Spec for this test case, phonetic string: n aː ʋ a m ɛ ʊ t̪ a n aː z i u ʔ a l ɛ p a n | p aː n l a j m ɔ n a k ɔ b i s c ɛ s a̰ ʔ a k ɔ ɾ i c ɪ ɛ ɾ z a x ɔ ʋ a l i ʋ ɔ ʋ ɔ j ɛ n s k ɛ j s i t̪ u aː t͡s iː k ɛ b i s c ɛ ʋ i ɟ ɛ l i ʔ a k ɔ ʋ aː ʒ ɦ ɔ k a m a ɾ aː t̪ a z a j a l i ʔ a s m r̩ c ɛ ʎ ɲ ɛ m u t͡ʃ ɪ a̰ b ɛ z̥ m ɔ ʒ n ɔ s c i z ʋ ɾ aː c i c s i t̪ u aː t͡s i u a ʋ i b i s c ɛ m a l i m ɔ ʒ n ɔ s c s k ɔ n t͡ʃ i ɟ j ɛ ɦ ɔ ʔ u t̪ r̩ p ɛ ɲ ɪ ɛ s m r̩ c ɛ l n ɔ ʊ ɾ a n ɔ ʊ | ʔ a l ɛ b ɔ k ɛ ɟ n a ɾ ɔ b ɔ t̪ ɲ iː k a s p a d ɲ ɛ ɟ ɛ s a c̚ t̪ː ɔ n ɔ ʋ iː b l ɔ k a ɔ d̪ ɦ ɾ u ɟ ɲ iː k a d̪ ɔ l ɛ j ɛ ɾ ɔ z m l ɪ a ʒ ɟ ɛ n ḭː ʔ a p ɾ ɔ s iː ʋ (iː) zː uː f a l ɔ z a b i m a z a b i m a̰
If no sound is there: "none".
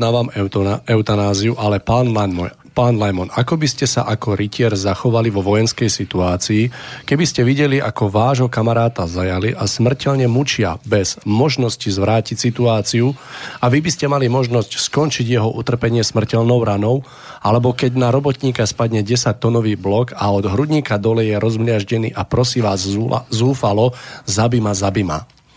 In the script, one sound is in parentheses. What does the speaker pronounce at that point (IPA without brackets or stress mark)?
aː